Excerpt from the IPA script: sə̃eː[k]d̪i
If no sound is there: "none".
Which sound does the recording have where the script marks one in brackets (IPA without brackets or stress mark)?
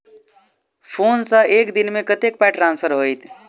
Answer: k